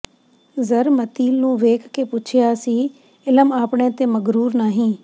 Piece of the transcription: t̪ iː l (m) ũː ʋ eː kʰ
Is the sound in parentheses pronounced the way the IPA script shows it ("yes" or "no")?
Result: no